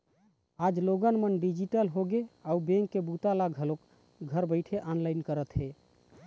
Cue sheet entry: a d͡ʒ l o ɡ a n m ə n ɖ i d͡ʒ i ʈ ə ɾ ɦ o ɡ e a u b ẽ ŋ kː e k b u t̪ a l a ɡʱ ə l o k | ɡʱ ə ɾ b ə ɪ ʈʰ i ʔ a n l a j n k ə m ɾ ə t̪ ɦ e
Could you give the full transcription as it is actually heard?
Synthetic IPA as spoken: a d͡ʒ l o ɡ ə n m ə n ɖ i d͡ʒ i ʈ ə l ɦ o ɡ e a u b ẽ ŋ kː e b u t̪ a l a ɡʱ ə l o k | ɡʱ ə ɾ b ə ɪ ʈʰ e ʔ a n l a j n k ə ɾ ə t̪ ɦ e